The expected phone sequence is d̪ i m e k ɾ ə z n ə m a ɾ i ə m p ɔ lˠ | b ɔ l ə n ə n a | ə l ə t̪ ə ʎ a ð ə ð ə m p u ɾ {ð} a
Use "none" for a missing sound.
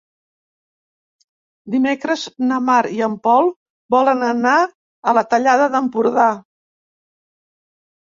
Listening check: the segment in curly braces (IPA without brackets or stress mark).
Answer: ð